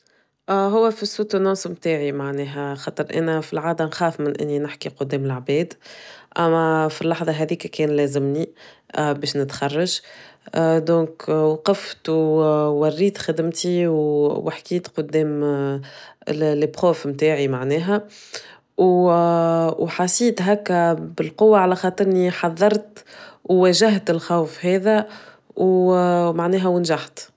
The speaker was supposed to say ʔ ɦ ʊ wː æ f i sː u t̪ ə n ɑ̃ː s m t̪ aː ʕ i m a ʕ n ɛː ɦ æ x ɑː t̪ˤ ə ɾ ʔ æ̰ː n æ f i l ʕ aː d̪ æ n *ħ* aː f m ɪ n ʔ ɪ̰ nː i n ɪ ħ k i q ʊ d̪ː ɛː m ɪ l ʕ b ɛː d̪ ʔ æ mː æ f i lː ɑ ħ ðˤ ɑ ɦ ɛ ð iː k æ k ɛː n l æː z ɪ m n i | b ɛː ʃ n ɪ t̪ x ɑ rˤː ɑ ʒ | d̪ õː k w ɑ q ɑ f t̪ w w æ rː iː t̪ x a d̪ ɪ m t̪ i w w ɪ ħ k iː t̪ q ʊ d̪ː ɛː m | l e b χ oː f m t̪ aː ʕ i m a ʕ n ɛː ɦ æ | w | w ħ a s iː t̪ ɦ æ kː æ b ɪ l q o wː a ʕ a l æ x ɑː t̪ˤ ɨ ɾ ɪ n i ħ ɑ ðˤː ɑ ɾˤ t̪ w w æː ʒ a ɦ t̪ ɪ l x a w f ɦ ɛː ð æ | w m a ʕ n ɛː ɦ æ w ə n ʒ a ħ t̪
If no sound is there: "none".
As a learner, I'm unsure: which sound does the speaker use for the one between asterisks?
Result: x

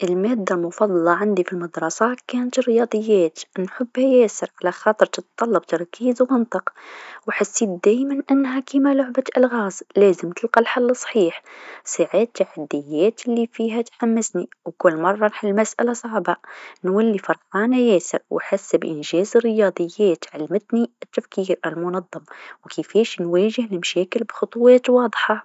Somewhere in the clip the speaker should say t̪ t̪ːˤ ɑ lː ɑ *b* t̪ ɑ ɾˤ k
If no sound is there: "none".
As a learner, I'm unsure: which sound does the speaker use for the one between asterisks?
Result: b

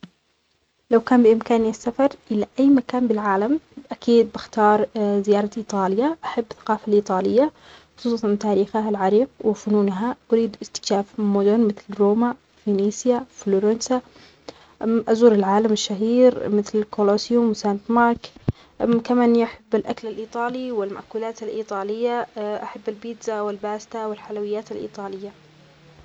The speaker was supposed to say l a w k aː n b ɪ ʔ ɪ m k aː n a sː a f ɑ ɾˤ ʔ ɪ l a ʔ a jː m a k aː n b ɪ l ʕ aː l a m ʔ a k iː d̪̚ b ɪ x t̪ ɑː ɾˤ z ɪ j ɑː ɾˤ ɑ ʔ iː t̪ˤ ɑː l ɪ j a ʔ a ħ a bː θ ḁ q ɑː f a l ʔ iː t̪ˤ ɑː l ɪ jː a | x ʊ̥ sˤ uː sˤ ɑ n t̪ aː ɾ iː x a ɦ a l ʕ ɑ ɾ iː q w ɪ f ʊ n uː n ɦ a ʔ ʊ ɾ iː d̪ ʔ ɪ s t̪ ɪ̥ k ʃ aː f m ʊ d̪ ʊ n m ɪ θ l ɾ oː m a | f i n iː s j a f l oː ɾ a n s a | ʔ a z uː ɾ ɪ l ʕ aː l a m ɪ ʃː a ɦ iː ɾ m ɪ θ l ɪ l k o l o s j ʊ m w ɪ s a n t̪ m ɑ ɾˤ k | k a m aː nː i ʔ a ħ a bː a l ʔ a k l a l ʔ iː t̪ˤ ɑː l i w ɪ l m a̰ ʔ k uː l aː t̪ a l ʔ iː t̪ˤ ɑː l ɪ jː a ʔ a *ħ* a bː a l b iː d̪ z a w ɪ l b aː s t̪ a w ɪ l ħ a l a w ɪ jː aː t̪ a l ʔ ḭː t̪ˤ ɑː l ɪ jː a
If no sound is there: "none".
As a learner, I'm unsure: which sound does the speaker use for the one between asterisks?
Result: ħ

